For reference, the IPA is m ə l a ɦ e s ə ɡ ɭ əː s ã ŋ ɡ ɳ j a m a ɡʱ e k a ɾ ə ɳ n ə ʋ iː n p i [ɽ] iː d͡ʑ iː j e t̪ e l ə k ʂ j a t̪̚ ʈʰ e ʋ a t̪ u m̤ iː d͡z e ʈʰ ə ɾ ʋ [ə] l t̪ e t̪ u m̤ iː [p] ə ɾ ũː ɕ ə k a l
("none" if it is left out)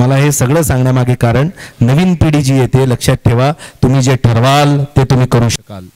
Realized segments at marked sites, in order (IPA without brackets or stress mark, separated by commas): ɽ, a, k